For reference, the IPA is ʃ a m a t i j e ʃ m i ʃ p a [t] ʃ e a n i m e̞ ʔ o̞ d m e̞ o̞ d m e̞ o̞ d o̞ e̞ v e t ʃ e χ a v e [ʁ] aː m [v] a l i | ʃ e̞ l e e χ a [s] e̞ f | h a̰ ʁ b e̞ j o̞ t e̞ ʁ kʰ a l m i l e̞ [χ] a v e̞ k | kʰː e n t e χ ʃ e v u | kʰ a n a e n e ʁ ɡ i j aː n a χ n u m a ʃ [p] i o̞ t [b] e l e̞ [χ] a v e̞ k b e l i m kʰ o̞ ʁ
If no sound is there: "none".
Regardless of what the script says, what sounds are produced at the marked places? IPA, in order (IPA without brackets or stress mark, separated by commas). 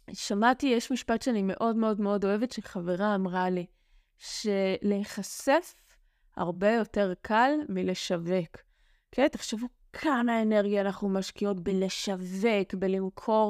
t, ʁ, ʁ, s, ʃ, k, b, ʃ